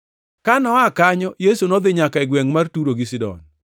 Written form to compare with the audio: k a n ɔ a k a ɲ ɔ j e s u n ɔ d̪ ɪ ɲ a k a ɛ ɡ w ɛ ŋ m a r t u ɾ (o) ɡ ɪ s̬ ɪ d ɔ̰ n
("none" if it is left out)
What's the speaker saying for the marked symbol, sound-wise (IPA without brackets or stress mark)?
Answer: o